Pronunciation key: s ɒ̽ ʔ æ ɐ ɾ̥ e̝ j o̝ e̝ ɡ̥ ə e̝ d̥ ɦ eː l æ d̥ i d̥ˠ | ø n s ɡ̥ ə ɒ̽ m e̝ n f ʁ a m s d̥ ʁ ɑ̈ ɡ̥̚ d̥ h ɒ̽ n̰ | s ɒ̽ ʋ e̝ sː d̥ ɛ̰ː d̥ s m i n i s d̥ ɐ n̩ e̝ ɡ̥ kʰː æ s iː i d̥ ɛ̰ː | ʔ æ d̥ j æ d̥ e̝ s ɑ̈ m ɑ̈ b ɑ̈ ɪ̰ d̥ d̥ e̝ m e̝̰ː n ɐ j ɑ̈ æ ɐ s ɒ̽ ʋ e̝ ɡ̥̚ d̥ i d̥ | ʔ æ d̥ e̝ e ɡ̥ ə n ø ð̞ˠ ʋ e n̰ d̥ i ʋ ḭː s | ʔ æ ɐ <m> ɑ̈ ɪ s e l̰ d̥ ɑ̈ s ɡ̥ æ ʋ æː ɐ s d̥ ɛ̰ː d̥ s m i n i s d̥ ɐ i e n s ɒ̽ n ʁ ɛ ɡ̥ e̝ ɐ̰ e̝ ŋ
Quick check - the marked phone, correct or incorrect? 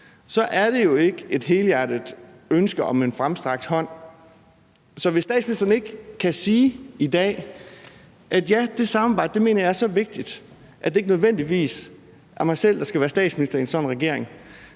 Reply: correct